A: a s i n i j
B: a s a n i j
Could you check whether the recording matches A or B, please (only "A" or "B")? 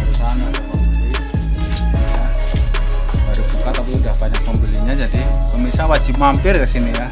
A